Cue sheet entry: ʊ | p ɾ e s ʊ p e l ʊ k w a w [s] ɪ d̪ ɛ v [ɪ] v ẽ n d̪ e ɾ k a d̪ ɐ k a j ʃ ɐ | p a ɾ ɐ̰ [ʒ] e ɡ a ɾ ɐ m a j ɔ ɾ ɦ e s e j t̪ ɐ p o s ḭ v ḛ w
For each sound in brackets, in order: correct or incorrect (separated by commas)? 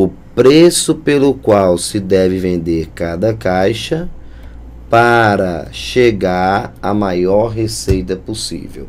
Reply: correct, correct, incorrect